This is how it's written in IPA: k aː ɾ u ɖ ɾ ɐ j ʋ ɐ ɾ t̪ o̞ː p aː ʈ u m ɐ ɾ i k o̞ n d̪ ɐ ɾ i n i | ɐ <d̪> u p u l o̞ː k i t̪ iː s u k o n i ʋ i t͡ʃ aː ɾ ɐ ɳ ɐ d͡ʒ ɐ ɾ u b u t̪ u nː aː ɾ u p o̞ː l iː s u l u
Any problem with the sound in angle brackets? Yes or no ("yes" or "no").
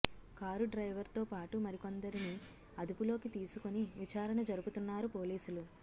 no